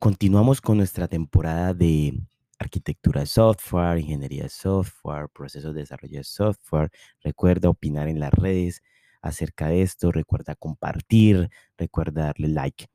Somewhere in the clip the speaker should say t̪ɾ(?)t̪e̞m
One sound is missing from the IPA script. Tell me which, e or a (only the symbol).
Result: a